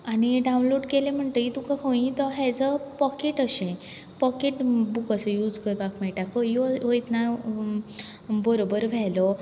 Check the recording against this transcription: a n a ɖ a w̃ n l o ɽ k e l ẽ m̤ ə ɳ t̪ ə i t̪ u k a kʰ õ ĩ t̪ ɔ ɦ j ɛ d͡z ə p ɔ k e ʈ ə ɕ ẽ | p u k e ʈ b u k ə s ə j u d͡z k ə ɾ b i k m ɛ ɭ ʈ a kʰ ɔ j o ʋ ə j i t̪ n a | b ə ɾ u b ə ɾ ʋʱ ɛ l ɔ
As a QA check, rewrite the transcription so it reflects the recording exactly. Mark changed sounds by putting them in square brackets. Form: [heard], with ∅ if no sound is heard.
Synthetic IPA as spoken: a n [i] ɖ a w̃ n l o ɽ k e l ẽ m̤ ə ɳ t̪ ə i t̪ u k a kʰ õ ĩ t̪ ɔ ɦ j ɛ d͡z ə p ɔ k e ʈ ə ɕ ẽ | p [ɔ] k e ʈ b u k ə s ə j u d͡z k ə ɾ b [a] k m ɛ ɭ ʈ a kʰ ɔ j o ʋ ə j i t̪ n a | b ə ɾ [o] b ə ɾ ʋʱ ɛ l ɔ